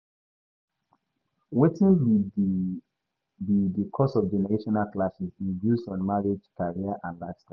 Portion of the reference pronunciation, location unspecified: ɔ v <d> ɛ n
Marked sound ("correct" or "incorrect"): incorrect